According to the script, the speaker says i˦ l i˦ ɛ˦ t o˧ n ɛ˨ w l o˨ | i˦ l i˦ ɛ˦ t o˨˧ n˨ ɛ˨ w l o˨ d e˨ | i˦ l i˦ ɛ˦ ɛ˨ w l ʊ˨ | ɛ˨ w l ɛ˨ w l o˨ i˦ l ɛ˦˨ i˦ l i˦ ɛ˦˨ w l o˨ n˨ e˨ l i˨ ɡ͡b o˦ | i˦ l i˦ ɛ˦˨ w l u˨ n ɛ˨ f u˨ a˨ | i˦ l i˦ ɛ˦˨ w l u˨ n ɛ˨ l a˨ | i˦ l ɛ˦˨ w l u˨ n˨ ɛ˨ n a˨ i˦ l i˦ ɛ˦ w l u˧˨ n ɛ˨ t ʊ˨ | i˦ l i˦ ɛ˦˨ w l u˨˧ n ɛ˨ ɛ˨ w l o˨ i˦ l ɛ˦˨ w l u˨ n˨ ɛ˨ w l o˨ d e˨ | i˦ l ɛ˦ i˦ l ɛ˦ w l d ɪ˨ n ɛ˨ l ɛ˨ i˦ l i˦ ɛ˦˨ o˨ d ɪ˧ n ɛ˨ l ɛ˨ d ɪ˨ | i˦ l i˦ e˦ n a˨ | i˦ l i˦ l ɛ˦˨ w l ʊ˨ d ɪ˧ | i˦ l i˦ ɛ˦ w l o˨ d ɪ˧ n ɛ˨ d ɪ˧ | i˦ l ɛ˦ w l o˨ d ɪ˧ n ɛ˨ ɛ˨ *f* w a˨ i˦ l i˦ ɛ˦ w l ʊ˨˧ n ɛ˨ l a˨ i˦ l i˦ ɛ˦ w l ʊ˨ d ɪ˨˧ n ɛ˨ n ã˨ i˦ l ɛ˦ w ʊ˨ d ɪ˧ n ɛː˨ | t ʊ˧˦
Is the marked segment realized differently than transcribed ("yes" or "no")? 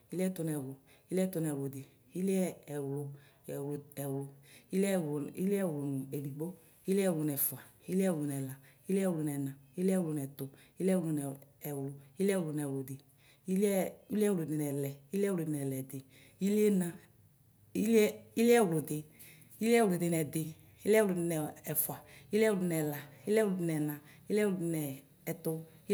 no